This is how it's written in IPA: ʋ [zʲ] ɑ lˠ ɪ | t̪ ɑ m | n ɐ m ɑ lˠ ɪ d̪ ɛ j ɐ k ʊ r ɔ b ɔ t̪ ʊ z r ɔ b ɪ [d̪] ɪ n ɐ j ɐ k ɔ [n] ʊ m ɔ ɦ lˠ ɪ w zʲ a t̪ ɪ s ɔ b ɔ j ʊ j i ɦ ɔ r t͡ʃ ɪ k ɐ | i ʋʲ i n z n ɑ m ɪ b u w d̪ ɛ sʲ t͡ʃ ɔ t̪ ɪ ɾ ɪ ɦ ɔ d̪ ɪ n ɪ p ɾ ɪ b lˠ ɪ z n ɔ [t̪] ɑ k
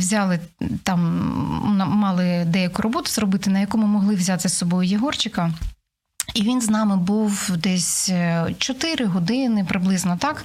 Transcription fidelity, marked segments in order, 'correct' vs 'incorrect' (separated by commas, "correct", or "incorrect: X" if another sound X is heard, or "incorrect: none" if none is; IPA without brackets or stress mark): correct, incorrect: t̪, incorrect: m, correct